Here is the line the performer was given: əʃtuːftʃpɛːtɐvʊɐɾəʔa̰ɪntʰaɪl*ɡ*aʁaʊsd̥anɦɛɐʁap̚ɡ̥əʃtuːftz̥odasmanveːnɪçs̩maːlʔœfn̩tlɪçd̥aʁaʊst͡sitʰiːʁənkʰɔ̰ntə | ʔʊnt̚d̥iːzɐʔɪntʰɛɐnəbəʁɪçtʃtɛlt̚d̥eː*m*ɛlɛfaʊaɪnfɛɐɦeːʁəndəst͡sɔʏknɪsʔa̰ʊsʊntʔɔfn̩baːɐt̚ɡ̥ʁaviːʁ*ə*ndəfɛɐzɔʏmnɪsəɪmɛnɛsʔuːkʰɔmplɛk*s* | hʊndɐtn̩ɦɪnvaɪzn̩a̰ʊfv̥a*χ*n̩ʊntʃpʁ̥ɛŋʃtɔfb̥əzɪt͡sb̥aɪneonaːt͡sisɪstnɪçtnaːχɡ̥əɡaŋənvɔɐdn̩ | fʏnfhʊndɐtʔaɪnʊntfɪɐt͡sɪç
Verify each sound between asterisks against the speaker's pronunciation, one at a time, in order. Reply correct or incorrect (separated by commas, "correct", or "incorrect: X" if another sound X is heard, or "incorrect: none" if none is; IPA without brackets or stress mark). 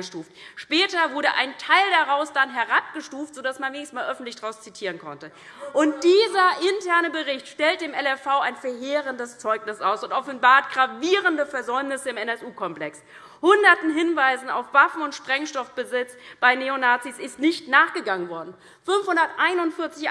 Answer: incorrect: d, correct, correct, correct, incorrect: f